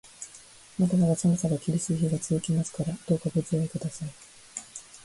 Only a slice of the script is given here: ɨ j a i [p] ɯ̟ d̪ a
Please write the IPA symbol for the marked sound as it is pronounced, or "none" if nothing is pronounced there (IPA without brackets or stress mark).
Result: k